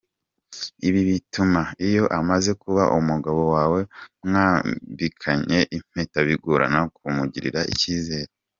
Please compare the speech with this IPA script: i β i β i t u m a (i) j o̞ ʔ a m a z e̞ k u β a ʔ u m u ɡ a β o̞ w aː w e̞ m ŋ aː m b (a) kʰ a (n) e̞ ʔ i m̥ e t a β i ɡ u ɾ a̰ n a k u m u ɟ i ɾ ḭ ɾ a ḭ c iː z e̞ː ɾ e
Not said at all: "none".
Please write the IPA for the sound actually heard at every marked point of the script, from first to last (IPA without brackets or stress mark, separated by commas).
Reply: i, i, ɲ